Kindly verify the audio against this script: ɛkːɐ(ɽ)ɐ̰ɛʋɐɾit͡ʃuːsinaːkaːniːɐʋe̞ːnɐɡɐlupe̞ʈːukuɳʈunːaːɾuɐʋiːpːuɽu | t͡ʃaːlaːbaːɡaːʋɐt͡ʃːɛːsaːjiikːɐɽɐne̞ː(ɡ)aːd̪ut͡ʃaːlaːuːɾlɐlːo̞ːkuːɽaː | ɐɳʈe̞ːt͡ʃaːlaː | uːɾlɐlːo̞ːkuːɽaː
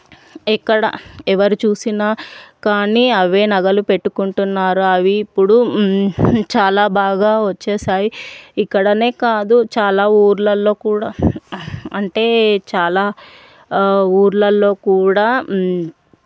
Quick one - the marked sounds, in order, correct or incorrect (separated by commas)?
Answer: correct, incorrect